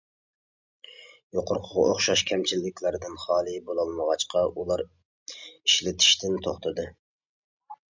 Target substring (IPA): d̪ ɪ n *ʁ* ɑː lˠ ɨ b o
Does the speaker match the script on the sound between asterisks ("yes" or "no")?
no